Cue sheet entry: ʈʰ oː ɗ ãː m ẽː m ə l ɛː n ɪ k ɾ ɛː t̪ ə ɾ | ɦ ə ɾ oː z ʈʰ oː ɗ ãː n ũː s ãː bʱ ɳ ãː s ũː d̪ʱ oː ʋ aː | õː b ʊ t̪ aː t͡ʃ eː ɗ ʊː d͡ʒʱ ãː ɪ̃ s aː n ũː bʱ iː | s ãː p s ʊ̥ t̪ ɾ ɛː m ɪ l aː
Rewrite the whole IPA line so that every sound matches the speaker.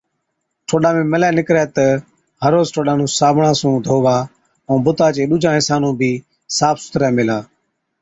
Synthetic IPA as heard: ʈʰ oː ɗ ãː m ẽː m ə l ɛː n ɪ k ɾ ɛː t̪ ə | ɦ ə ɾ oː z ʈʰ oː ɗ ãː n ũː s aː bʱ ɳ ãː s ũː d̪ʱ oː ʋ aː | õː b ʊ t̪ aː t͡ʃ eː ɗ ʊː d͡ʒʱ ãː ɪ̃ s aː n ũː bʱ iː | s aː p s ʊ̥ t̪ ɾ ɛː m ɪ l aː